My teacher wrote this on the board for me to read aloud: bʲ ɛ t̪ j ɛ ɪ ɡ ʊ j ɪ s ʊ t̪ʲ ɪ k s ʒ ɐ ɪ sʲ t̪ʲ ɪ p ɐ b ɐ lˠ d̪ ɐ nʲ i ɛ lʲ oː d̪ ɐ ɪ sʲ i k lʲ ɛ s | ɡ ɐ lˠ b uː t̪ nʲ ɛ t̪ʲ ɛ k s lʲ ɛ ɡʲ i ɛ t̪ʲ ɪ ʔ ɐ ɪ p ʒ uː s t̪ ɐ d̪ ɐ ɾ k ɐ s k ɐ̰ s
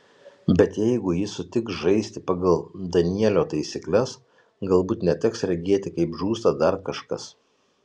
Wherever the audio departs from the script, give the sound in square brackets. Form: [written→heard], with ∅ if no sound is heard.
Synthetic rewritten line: bʲ ɛ t̪ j ɛ ɪ ɡ ʊ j ɪ s ʊ t̪ʲ ɪ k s ʒ ɐ ɪ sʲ t̪ʲ ɪ p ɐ [b→ɡ] ɐ lˠ d̪ ɐ nʲ i ɛ lʲ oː [d̪→t̪] ɐ ɪ sʲ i k lʲ ɛ s | ɡ ɐ lˠ b uː t̪ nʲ ɛ t̪ʲ ɛ k s [lʲ→ɾʲ] ɛ ɡʲ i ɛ t̪ʲ ɪ [ʔ→k] ɐ ɪ p ʒ uː s t̪ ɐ d̪ ɐ ɾ k ɐ [s→ʃ] k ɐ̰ s